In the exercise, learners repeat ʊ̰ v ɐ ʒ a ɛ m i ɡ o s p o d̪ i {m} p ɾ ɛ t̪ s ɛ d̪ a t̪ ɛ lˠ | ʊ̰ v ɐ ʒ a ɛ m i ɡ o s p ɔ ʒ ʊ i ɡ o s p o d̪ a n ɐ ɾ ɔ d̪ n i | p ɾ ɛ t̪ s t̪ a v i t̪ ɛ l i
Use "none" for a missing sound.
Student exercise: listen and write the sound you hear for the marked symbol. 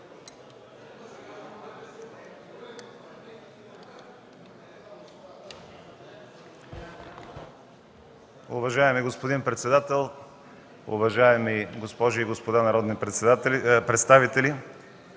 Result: n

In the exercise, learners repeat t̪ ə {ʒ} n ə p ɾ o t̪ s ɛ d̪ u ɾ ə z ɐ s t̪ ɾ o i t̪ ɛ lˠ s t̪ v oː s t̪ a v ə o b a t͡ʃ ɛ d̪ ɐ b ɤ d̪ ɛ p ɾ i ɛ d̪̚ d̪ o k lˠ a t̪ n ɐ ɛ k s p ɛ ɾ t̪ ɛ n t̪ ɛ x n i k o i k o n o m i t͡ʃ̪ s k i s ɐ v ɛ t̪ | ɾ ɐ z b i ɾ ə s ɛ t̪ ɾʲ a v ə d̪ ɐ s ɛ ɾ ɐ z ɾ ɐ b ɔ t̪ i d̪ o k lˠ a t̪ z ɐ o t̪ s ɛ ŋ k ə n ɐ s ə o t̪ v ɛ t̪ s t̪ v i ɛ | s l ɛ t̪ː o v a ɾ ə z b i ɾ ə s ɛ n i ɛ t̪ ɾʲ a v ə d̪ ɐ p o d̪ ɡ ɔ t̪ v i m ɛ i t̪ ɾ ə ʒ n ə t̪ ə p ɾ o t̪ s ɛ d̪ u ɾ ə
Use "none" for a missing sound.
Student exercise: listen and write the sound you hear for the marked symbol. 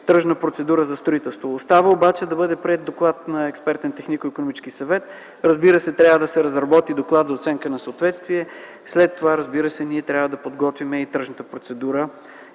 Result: ʒ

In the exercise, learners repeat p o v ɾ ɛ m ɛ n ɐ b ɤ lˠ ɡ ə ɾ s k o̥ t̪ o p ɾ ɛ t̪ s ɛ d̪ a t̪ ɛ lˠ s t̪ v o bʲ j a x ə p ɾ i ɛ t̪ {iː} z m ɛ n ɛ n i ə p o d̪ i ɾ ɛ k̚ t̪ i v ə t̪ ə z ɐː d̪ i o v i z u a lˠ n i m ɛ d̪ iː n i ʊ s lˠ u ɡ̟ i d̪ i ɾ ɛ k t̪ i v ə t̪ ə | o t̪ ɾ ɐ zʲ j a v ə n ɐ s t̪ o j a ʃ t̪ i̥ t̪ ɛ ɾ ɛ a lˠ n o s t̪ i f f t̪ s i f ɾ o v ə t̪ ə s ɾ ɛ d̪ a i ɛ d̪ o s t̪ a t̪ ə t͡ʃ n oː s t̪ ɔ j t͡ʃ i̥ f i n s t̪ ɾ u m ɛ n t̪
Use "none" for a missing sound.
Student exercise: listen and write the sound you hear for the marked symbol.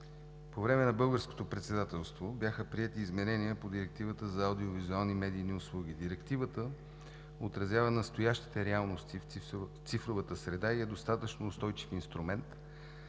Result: iː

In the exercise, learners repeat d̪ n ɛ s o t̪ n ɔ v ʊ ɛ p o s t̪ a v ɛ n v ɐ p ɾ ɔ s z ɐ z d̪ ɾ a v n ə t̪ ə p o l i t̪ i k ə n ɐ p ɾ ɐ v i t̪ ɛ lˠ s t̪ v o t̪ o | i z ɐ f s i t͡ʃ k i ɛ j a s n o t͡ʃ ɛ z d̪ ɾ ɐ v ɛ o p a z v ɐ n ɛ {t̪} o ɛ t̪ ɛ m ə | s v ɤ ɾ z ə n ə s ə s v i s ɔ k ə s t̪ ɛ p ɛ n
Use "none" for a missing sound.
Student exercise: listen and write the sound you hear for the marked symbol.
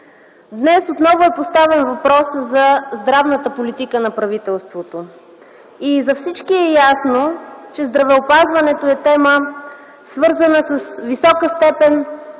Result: t̪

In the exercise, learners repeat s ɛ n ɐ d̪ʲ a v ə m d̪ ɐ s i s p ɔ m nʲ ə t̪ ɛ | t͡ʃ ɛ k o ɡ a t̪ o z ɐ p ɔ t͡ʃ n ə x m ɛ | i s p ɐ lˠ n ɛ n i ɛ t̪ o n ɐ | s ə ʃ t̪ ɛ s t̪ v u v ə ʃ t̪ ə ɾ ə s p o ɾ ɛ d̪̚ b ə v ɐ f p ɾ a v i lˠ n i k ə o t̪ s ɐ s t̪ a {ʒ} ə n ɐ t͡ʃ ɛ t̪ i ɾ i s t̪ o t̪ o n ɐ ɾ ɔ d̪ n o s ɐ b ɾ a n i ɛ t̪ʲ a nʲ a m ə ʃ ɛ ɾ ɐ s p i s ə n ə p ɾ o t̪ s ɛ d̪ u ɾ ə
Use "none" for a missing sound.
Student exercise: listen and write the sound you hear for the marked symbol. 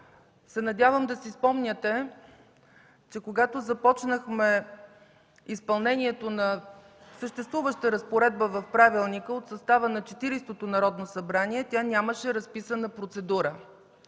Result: v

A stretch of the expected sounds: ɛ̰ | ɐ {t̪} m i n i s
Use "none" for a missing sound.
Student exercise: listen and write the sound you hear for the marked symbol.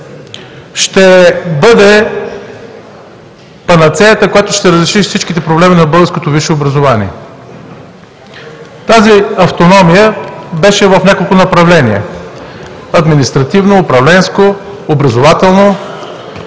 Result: d̪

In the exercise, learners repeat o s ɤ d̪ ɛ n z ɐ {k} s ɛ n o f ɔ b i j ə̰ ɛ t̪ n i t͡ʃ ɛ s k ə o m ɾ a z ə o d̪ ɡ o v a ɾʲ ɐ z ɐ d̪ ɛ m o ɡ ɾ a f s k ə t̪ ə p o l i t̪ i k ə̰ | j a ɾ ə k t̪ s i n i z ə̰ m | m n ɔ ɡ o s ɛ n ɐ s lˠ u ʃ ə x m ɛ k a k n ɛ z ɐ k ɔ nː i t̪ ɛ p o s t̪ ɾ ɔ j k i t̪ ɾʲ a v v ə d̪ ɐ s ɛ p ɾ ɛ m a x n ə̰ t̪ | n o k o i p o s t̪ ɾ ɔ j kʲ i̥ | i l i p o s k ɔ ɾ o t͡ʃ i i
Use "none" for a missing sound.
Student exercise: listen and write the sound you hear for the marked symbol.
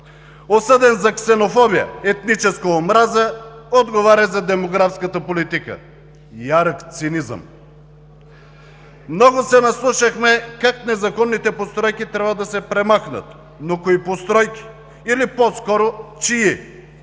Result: k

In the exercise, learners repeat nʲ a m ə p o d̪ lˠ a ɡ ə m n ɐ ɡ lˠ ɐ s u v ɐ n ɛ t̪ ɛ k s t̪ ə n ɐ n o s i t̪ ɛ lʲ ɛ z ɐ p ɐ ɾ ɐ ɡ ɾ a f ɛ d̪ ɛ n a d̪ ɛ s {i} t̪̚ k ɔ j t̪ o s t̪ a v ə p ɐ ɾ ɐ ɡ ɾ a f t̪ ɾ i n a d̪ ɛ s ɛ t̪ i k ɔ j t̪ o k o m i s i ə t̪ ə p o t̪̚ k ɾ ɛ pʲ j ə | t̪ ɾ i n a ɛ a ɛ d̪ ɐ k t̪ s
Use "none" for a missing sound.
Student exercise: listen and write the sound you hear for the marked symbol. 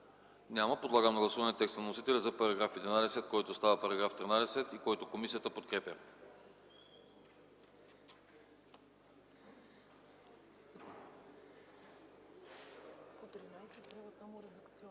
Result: ɛ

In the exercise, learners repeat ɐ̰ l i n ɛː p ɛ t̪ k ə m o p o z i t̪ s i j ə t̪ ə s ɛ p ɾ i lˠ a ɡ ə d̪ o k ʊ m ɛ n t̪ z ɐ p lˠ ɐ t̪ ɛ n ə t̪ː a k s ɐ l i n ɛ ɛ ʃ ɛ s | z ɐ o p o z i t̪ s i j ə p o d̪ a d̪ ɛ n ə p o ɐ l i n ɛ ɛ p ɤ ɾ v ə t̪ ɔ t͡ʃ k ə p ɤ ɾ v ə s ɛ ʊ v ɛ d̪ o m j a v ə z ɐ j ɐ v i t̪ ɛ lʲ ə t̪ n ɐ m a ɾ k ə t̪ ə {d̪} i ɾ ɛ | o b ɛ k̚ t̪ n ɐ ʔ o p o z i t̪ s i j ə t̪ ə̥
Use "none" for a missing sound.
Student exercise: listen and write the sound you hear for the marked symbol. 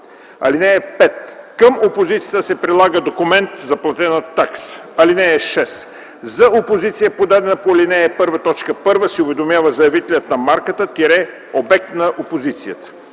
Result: t̪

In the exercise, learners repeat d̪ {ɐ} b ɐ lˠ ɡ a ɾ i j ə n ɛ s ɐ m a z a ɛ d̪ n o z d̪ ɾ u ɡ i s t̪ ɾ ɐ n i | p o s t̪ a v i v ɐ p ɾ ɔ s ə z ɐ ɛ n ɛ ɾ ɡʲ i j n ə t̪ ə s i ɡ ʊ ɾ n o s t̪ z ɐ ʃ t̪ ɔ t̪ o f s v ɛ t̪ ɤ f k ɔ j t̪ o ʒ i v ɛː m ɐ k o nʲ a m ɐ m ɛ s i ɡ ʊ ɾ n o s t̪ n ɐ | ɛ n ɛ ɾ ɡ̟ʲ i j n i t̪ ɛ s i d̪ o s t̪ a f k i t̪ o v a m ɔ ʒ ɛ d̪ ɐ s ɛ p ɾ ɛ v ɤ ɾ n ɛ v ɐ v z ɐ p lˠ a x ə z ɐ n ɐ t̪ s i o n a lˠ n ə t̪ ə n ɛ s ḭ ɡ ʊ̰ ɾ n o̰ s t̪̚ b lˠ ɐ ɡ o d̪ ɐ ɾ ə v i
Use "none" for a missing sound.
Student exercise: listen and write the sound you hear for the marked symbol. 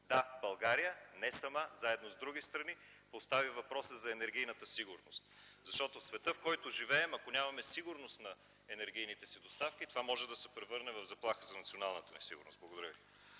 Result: a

